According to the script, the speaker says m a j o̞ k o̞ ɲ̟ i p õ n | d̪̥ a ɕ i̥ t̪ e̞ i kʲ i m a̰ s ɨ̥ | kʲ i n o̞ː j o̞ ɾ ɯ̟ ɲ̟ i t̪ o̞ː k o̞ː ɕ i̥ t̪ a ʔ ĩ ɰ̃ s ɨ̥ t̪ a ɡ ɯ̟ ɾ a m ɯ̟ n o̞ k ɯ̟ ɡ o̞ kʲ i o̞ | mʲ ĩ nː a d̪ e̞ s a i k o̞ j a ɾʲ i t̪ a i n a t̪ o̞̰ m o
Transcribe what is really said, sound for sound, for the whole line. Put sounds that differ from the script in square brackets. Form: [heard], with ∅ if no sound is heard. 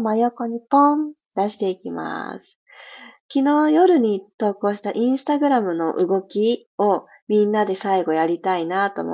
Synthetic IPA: m a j o̞ k o̞ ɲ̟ i p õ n | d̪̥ a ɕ i̥ t̪ e̞ i kʲ i m a̰ s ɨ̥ | kʲ i n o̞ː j o̞ ɾ ɯ̟ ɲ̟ i t̪ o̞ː k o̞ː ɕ i̥ t̪ a ʔ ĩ ɰ̃ s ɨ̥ t̪ a ɡ ɯ̟ ɾ a m ɯ̟ n o̞ [ʔ] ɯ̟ ɡ o̞ kʲ i o̞ | mʲ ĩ nː a d̪ e̞ s a i [ɡ] o̞ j a ɾʲ i t̪ a i n a t̪ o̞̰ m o